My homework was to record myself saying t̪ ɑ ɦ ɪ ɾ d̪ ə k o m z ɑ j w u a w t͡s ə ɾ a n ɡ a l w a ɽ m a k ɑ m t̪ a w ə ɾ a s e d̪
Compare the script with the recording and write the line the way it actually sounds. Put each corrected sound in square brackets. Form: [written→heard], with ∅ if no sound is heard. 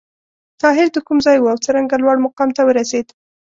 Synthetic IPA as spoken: t̪ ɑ ɦ ɪ ɾ d̪ ə k [o→u] m z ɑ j w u a w t͡s ə ɾ a [n→ŋ] ɡ a l w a ɽ m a [k→q] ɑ m t̪ a w ə ɾ a s e d̪